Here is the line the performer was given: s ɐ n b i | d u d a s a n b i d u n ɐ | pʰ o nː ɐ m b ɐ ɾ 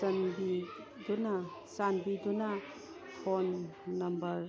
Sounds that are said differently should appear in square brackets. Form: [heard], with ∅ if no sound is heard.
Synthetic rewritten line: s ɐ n b i | d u [n] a s a n b i d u n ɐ | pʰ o nː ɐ m b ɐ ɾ